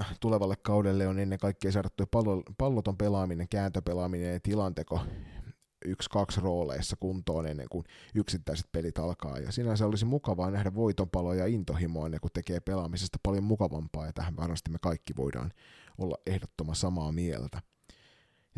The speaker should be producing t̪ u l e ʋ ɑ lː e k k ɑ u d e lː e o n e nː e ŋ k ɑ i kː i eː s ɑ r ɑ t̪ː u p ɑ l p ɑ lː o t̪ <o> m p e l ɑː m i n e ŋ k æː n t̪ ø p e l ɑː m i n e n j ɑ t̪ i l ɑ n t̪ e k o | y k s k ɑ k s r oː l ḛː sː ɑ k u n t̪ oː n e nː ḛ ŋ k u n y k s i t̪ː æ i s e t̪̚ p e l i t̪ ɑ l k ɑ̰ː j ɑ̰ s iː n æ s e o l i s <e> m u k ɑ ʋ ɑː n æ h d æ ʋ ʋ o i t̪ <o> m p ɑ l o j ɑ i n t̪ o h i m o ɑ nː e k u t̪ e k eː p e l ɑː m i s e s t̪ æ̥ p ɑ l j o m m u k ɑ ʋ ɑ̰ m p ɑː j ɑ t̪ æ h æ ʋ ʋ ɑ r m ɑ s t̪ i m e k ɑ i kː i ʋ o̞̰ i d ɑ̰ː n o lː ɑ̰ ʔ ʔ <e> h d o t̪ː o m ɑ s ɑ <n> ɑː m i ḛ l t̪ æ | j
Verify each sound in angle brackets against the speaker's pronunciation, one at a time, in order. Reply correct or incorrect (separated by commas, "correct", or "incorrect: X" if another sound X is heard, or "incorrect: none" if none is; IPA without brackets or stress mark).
correct, incorrect: i, correct, correct, incorrect: m